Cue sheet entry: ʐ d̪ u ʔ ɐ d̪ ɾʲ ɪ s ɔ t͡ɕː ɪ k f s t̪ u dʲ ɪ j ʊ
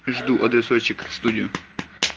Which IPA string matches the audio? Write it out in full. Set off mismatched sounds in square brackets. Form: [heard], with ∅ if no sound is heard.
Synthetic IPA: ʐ d̪ u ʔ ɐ d̪ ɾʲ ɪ s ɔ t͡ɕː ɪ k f s t̪ u dʲ ɪ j ʊ